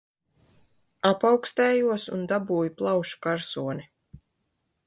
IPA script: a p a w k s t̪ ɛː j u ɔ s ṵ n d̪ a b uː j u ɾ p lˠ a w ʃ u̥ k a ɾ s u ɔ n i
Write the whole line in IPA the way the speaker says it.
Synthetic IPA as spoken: a p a w k s t̪ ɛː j u ɔ s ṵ n d̪ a b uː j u p lˠ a w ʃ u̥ k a ɾ s u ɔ n i